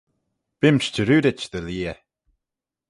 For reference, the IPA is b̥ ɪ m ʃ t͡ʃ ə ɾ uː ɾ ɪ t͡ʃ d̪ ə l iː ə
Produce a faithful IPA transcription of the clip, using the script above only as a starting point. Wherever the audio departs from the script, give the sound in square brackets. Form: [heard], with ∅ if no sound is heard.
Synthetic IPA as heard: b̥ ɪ m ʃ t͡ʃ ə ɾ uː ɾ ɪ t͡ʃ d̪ ə l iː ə